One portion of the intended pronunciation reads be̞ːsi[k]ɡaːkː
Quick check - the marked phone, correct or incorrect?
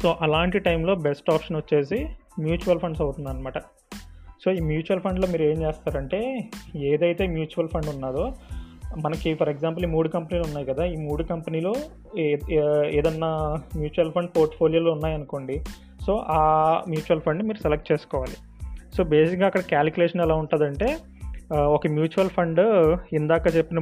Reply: correct